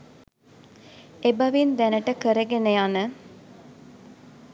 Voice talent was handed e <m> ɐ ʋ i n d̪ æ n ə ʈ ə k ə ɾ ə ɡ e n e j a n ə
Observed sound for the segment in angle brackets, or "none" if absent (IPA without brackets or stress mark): b